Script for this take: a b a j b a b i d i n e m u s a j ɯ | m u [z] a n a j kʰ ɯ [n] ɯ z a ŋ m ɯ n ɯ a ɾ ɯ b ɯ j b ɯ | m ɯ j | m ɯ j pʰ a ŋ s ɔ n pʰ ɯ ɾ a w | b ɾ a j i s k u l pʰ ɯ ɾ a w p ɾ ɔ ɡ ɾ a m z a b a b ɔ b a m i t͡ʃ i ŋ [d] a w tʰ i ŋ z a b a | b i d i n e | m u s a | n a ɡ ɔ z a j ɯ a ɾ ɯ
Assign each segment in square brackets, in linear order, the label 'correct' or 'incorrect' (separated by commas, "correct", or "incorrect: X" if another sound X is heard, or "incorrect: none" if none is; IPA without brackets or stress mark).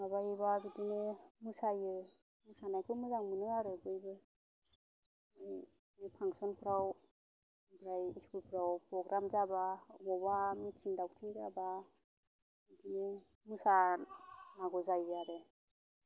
incorrect: s, incorrect: m, correct